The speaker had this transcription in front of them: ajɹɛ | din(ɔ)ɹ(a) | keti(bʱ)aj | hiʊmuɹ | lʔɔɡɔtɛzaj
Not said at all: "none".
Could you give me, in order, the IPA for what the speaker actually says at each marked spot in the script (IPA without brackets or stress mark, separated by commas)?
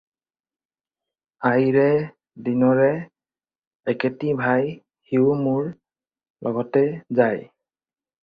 ɔ, ɛ, bʱ